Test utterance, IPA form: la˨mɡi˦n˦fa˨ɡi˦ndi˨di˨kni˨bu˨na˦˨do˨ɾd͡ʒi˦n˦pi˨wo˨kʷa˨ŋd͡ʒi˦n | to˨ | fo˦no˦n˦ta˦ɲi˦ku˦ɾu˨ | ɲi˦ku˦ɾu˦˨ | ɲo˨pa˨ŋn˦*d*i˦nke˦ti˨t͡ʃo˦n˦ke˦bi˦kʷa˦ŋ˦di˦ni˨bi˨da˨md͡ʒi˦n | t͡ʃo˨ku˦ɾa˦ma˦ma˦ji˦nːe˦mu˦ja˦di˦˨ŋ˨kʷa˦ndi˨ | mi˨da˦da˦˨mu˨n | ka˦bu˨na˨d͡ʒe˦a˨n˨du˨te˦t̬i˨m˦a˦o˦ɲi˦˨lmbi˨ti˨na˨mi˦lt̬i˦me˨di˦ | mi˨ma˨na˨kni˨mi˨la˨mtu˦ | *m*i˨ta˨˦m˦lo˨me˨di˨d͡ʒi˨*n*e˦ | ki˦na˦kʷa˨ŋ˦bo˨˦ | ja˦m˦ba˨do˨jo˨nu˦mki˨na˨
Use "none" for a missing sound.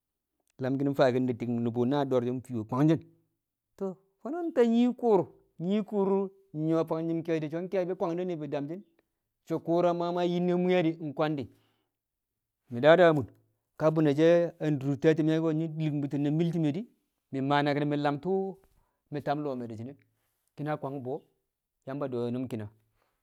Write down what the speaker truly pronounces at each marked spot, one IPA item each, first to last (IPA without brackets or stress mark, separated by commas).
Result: d͡ʒ, m, n